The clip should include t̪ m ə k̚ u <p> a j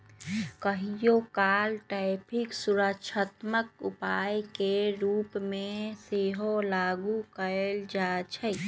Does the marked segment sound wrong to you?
no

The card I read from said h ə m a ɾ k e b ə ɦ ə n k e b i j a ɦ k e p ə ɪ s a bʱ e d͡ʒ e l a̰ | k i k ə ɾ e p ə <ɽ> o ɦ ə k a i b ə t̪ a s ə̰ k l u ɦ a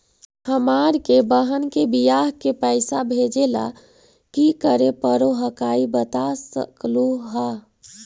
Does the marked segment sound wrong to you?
yes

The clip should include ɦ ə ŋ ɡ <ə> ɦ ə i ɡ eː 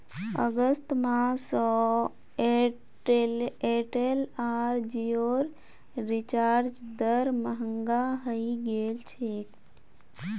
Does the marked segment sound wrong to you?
yes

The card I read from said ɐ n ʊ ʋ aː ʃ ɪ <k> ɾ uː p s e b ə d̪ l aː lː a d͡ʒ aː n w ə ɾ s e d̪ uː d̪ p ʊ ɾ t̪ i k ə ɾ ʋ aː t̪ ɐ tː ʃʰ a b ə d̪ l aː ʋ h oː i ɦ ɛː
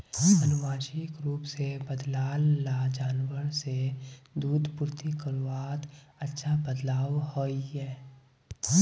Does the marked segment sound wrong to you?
no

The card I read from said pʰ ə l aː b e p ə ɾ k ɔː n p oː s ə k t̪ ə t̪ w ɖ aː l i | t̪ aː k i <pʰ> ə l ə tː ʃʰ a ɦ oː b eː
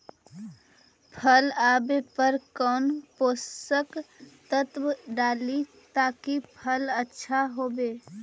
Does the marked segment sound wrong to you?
no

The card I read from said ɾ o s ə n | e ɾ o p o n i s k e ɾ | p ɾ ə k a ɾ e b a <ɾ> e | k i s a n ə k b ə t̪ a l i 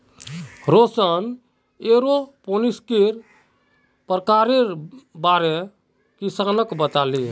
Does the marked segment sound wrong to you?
no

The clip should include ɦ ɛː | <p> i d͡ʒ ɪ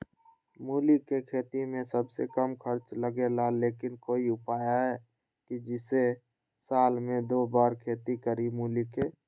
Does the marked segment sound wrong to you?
yes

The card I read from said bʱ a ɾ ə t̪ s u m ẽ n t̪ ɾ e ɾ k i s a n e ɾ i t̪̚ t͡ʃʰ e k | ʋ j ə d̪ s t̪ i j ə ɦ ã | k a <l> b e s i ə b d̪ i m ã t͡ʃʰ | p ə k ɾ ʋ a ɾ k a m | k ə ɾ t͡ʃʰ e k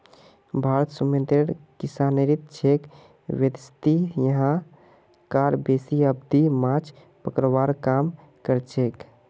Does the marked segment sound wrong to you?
yes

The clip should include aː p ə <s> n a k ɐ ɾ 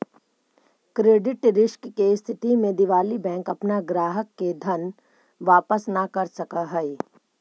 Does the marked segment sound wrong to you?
no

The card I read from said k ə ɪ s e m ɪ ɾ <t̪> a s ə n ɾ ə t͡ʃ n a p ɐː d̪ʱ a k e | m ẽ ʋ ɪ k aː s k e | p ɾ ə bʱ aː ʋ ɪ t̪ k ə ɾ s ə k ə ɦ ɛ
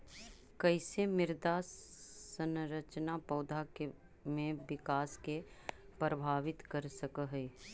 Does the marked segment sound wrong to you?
yes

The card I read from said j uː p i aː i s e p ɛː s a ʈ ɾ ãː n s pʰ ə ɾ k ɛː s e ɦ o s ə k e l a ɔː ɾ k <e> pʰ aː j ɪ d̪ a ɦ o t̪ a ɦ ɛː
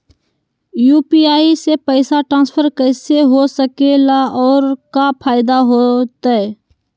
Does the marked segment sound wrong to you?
yes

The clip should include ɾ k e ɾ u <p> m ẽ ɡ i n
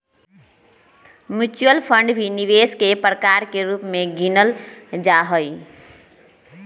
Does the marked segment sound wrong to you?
no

